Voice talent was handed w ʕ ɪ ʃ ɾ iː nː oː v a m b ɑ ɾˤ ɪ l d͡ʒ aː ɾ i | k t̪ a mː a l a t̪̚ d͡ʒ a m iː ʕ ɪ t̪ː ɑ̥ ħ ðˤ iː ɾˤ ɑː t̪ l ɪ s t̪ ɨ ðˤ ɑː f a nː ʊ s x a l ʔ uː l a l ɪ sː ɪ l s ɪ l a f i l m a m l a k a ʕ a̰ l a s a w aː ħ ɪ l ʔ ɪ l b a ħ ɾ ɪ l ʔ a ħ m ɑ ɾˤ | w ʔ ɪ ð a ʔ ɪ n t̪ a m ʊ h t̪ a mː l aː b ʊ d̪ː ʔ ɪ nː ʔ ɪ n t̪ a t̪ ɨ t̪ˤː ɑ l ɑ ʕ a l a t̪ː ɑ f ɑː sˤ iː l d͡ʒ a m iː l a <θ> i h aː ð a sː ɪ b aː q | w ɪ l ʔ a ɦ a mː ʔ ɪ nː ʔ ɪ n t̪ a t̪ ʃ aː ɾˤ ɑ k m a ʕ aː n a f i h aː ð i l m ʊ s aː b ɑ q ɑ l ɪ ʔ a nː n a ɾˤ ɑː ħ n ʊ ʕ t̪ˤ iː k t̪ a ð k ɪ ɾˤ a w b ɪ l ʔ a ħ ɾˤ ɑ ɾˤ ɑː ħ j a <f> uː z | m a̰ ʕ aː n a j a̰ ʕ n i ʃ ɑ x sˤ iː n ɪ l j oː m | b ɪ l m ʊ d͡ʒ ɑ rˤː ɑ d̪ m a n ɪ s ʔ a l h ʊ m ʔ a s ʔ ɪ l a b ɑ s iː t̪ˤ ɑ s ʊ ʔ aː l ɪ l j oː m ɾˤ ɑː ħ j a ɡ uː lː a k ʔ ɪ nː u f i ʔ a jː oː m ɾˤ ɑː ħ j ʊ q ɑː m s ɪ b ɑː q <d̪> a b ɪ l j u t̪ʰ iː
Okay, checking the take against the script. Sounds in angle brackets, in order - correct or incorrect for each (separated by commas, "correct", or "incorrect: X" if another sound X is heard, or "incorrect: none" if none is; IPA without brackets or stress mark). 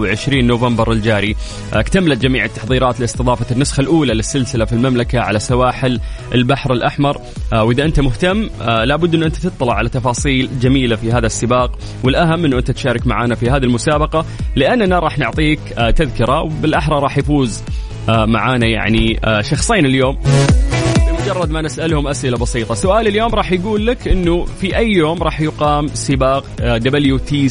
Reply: incorrect: f, correct, correct